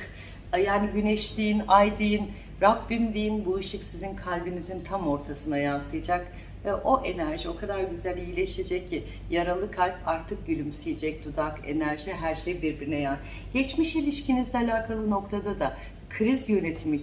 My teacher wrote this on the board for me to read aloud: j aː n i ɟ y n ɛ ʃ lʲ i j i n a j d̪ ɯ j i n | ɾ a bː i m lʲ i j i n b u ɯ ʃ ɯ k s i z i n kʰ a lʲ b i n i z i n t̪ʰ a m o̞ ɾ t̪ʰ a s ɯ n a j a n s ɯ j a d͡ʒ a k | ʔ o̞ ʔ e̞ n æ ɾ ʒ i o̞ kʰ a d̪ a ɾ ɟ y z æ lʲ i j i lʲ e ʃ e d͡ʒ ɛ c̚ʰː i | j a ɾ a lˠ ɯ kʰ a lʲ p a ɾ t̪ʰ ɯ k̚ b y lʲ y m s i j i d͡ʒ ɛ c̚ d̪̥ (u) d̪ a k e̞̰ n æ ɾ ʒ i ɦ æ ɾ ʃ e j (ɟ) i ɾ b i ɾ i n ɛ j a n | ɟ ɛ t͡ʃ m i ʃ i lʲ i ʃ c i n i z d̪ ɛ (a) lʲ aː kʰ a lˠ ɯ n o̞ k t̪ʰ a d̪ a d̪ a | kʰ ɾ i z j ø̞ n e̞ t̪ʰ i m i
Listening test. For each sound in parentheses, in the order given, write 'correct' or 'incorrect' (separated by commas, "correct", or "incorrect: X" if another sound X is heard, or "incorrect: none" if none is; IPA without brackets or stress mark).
correct, incorrect: b, correct